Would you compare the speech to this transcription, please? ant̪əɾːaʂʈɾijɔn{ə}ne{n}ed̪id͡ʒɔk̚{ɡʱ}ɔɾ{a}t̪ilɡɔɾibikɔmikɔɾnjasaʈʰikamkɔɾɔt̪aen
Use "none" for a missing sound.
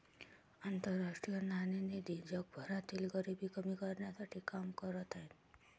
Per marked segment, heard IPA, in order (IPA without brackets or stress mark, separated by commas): a, n, bʱ, a